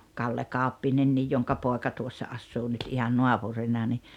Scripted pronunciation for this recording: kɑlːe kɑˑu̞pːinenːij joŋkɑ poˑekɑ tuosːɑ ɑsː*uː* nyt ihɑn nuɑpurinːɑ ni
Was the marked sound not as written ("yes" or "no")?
no